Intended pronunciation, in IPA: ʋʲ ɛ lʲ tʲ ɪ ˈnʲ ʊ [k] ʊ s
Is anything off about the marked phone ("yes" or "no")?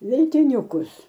no